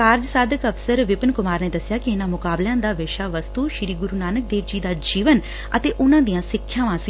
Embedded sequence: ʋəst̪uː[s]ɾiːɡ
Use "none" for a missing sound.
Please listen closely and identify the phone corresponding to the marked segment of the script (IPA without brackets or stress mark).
ʃ